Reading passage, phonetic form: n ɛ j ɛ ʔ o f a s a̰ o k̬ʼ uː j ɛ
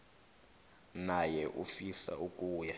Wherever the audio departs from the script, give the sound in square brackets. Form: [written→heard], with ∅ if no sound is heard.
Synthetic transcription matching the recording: n [ɛ→a] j ɛ ʔ [o→u] f [a→i] s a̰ [o→u] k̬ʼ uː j [ɛ→a]